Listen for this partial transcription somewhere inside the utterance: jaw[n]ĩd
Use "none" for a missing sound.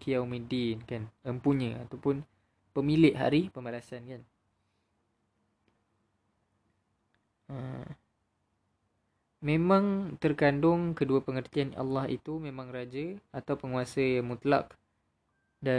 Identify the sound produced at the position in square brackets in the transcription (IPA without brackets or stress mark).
m